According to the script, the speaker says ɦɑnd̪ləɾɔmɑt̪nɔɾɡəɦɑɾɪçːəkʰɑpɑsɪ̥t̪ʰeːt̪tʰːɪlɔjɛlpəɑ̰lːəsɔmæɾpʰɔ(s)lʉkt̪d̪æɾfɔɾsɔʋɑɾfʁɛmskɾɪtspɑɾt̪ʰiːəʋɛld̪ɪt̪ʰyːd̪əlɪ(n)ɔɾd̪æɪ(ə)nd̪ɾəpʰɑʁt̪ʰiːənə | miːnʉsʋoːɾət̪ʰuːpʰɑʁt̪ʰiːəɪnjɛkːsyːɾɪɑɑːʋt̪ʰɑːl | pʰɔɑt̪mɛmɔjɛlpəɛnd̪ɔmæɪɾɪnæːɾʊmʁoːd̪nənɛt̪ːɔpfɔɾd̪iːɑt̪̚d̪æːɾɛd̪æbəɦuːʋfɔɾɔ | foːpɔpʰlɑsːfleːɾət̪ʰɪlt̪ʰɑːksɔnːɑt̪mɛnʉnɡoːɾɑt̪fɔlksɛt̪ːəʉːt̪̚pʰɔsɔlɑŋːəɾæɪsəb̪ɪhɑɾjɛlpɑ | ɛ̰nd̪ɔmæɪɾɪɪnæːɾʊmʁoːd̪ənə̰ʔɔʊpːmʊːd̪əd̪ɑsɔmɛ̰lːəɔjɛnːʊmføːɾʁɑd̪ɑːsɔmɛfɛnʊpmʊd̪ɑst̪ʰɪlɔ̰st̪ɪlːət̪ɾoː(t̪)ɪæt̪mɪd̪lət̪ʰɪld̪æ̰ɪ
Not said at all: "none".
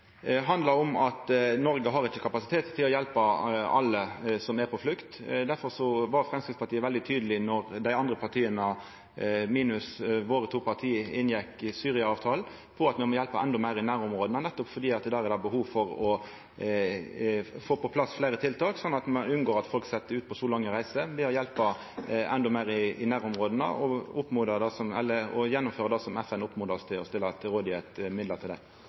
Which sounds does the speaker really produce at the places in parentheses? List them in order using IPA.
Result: f, n, ɑ, d̪

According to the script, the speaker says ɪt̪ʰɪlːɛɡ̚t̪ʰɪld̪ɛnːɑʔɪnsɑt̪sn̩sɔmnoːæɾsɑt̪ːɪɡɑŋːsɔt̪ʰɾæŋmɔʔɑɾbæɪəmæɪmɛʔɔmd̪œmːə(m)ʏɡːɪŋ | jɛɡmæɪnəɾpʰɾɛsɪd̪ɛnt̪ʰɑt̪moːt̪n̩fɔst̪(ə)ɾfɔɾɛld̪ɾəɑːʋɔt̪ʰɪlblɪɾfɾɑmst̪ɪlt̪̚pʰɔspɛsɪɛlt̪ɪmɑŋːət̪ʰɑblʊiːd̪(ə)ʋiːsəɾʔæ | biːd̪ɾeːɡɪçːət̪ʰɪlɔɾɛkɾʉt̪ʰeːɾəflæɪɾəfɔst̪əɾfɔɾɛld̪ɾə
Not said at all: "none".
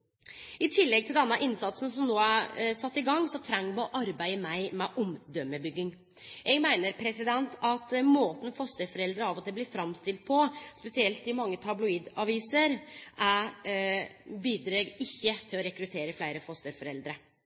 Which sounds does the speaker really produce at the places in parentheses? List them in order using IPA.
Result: b, ə, ɑ

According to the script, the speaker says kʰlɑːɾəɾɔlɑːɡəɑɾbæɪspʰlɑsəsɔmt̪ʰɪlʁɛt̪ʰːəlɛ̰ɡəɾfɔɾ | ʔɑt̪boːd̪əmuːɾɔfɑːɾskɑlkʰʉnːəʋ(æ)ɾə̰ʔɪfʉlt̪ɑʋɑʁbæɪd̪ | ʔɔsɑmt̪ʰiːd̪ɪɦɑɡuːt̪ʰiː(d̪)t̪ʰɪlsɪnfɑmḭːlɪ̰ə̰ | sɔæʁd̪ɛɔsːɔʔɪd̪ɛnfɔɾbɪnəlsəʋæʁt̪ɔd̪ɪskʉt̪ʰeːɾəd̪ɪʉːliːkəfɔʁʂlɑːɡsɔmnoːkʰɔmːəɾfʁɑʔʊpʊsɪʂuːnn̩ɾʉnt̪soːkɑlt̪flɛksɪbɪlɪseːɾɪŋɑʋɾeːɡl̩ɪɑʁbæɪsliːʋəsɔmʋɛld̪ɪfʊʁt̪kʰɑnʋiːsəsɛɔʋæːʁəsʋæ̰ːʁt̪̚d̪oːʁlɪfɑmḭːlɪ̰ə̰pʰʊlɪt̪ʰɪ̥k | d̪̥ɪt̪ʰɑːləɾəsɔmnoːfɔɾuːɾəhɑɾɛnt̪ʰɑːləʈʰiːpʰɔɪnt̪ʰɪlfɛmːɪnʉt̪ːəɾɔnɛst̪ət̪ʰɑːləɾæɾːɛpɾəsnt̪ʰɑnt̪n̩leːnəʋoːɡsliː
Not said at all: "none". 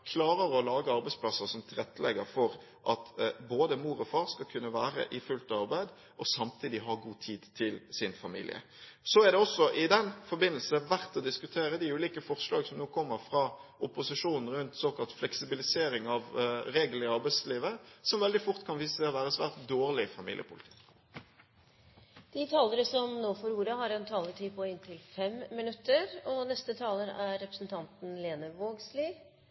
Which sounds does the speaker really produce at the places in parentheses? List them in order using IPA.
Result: æː, d̪

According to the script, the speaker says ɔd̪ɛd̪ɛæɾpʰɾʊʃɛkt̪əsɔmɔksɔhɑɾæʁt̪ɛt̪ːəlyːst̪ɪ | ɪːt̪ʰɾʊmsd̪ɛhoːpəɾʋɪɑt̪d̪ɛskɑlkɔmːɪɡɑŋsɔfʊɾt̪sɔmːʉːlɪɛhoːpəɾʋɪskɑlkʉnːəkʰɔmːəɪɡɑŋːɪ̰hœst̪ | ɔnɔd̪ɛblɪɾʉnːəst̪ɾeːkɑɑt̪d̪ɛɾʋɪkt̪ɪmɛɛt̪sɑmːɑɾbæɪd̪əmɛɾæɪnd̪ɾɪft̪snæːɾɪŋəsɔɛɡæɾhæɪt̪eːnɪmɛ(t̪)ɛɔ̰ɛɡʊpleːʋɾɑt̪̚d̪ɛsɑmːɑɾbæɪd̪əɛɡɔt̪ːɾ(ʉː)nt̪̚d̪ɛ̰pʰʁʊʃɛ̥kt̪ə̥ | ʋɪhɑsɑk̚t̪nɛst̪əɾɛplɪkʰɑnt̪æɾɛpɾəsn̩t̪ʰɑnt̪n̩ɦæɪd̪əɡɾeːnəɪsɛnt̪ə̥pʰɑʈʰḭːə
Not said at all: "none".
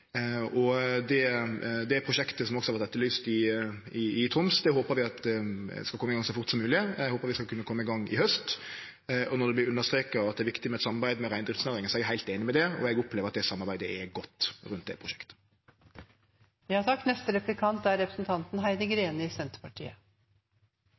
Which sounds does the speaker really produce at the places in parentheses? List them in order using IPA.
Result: d̪, ʉ

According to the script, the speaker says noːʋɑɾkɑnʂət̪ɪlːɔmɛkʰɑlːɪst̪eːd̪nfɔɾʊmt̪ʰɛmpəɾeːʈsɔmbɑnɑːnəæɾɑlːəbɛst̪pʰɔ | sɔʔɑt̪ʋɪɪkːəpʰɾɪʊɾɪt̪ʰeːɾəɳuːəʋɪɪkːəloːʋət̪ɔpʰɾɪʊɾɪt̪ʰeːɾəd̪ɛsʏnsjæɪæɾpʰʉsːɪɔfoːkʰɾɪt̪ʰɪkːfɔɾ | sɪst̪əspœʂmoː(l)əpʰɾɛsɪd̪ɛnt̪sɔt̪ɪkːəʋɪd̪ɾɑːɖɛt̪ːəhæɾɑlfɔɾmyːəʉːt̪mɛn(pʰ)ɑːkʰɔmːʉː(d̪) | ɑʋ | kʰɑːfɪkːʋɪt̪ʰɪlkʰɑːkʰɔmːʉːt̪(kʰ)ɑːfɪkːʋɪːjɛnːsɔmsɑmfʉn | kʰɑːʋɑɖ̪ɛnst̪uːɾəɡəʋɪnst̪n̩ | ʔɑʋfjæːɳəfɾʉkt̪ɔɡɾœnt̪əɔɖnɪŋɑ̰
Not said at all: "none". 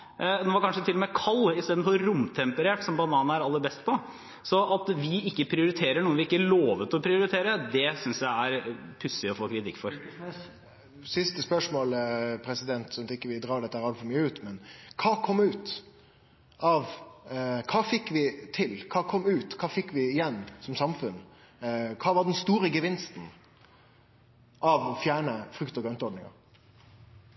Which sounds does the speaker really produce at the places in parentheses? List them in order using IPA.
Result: l, kʰ, t̪, kʰ

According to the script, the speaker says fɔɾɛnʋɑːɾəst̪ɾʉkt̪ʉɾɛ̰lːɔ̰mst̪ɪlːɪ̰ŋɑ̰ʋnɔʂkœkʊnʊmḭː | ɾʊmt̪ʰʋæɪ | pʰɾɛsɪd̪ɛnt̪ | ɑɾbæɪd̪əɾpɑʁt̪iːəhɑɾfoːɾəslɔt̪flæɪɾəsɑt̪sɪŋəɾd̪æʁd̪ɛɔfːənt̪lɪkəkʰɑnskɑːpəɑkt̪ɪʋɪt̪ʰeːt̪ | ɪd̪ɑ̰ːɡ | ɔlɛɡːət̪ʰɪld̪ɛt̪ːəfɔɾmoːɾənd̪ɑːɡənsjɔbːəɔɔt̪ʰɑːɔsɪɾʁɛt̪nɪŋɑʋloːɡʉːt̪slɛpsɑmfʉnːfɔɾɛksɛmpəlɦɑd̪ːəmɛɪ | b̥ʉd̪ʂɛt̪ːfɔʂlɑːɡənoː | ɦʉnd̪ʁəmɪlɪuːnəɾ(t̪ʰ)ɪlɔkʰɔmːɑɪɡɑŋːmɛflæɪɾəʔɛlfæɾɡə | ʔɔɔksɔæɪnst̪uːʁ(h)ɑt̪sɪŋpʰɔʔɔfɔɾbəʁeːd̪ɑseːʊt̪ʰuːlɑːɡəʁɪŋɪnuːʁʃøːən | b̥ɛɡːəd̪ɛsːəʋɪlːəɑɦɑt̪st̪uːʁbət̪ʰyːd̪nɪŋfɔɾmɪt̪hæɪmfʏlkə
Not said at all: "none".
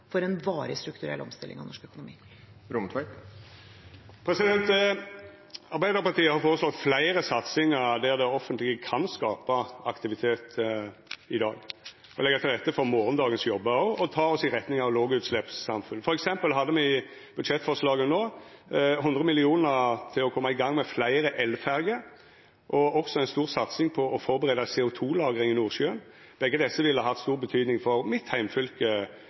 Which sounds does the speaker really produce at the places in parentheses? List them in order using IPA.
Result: t̪ʰ, s

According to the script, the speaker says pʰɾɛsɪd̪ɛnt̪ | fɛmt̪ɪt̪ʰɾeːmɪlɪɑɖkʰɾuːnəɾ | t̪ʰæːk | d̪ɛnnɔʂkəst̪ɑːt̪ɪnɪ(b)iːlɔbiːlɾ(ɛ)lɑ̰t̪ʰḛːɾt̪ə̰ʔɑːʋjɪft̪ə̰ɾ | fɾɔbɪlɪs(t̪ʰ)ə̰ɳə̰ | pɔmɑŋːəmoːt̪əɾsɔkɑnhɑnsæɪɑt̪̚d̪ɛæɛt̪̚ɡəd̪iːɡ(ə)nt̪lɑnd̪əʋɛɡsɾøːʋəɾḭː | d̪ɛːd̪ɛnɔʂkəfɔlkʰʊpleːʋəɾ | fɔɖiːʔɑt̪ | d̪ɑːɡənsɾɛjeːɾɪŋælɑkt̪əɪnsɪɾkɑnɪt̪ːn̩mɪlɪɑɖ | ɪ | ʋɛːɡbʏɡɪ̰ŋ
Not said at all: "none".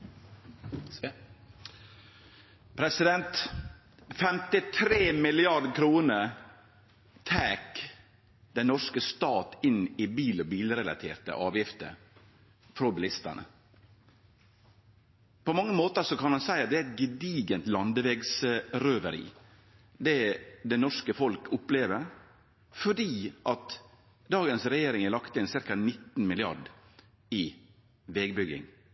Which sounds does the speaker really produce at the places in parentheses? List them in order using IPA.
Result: b, ɛ, t̪, ə

